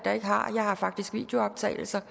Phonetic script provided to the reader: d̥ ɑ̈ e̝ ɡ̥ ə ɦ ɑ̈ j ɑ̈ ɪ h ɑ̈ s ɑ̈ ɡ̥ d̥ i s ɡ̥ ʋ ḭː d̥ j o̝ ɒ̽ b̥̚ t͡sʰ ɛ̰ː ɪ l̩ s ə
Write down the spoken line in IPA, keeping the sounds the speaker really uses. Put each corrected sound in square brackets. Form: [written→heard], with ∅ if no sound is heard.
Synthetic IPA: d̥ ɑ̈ e̝ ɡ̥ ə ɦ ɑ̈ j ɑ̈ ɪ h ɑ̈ [s→f] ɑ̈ ɡ̥ d̥ i s ɡ̥ ʋ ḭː d̥ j o̝ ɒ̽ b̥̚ t͡sʰ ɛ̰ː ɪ l̩ s [ə→ɐ]